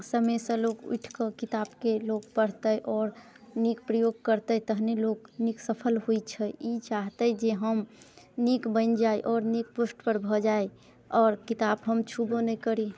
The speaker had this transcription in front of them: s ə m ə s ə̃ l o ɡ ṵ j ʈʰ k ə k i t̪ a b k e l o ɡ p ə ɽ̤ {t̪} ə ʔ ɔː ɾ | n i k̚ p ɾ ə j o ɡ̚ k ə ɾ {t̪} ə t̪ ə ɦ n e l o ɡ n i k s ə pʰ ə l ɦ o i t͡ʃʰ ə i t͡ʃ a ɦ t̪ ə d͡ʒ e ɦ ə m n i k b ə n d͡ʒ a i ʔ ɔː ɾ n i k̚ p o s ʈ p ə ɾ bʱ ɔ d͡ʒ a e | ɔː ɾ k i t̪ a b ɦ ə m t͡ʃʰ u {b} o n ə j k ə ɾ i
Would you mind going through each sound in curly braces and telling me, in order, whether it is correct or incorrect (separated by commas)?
correct, correct, correct